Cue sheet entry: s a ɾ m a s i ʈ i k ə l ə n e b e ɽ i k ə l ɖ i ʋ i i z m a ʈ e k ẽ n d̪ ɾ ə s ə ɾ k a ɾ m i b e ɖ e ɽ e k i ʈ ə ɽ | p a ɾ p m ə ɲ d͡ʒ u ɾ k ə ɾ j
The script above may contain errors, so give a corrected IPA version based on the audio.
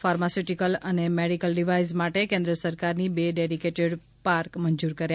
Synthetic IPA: f a ɾ m a s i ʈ i k ə l ə n e m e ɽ i k ə l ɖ i ʋ a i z m a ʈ e k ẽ n d̪ ɾ ə s ə ɾ k a ɾ n i b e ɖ e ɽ i k e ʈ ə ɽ | p a ɾ k m ə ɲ d͡ʒ u ɾ k ə ɾ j